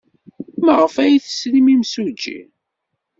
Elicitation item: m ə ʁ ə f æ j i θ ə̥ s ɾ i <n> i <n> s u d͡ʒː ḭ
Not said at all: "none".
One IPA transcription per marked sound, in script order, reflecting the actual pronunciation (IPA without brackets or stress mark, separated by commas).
m, m